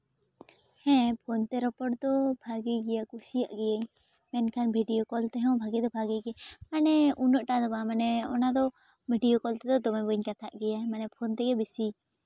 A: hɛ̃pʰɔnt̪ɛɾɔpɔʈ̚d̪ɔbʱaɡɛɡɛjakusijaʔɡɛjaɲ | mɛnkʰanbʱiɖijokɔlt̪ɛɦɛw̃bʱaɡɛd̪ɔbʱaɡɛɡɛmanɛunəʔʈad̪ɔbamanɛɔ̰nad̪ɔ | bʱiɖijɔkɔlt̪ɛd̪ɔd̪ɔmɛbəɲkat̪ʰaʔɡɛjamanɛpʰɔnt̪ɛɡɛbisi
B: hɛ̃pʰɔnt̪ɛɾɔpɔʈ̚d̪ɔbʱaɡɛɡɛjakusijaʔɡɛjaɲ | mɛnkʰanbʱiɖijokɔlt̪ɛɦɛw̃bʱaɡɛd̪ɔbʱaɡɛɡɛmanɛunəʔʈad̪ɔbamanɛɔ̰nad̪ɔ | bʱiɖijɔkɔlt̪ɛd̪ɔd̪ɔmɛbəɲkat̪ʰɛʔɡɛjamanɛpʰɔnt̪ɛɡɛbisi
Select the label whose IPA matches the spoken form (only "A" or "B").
A